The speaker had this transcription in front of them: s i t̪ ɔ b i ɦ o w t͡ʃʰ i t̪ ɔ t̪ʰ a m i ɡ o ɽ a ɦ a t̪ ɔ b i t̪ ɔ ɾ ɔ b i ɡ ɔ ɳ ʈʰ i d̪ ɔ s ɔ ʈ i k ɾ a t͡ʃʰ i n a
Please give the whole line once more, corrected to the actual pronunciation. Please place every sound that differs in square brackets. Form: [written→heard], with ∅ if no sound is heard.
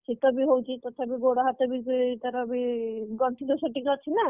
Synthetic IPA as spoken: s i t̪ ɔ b i ɦ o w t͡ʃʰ i t̪ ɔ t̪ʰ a [m→b] i ɡ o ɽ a ɦ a t̪ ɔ b i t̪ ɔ ɾ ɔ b i ɡ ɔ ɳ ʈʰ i d̪ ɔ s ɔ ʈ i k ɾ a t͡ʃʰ i n a